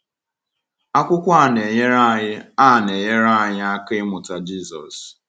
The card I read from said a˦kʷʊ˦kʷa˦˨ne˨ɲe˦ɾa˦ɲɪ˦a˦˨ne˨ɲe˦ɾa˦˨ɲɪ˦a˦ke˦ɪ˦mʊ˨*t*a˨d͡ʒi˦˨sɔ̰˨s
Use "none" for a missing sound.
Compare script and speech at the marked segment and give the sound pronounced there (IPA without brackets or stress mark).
t